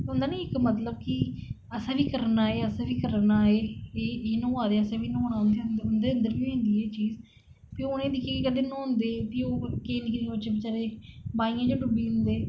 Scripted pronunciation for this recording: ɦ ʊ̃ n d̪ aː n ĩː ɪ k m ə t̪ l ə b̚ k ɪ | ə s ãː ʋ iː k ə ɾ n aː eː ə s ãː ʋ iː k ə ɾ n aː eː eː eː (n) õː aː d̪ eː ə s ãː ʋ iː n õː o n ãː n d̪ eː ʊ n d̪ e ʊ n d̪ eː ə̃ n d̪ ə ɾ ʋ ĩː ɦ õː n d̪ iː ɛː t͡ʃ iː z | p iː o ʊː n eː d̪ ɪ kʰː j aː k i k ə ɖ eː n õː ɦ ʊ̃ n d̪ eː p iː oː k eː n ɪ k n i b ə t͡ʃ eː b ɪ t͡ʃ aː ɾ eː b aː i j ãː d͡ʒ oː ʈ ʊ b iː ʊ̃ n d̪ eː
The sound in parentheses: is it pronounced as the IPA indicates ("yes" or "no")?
yes